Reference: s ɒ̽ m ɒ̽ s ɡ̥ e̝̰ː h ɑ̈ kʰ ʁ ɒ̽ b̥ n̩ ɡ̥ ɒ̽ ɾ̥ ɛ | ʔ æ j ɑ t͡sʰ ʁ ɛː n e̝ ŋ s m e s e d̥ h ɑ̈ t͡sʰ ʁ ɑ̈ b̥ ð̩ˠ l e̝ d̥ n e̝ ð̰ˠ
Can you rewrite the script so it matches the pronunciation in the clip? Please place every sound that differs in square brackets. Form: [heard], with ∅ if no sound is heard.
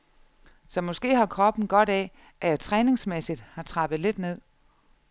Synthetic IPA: s ɒ̽ m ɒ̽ s ɡ̥ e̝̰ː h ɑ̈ kʰ ʁ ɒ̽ b̥ n̩ ɡ̥ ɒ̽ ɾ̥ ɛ | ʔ æ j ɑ t͡sʰ ʁ ɛː n e̝ ŋ s m e s [i] d̥ h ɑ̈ t͡sʰ ʁ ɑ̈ b̥ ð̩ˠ l e̝ d̥ n e̝ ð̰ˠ